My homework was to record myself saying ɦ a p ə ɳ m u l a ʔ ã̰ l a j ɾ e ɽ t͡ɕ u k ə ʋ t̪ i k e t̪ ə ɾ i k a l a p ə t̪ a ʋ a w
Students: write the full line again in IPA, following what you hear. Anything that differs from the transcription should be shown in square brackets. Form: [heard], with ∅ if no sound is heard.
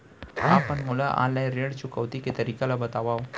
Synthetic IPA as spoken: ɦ a p ə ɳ m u l a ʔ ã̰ l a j ɾ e ɽ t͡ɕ u k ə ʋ t̪ i k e t̪ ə ɾ i k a l a [b] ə t̪ a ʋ a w